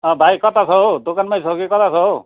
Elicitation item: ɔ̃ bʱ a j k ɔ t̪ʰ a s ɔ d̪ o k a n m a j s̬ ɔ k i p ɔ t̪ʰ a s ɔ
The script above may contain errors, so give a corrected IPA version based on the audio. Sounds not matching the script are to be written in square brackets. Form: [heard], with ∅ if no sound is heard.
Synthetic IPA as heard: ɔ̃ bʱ a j k ɔ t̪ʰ a s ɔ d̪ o k a n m a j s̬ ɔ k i [k] ɔ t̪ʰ a s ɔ